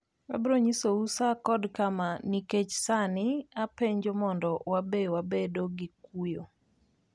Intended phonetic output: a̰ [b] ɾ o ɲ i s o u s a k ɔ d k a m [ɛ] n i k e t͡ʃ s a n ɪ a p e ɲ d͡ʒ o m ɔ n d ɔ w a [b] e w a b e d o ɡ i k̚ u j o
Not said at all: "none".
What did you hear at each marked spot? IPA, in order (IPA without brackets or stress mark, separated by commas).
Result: b, a, b